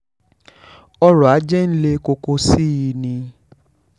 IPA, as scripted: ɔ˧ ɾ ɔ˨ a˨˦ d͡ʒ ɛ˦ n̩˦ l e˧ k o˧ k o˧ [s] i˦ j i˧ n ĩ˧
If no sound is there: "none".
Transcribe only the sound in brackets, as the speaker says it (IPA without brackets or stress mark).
s